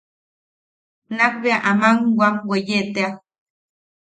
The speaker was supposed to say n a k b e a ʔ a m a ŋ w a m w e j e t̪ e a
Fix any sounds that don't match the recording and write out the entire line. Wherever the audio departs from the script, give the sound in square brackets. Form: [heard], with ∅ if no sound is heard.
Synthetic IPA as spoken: n a k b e a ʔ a m a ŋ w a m w e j e t̪ e a